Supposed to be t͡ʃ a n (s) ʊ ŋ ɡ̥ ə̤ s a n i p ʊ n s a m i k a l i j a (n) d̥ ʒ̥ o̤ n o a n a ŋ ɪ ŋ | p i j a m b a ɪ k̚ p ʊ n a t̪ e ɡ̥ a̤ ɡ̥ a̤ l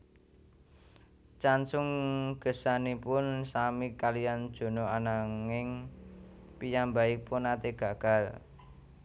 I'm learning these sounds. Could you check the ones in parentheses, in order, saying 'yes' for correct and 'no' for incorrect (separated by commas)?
yes, yes